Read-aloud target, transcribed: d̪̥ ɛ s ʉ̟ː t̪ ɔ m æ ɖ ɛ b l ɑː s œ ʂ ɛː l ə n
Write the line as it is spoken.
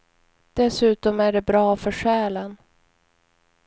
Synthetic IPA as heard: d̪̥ ɛ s ʉ̟ː t̪ ɔ m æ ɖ ɛ b ɾ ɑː f œ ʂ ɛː l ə n